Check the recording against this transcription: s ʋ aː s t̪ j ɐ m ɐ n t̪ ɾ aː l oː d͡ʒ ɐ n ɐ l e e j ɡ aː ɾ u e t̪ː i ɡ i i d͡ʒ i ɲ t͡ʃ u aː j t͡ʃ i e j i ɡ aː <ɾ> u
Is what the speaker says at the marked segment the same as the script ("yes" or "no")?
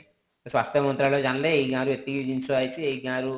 yes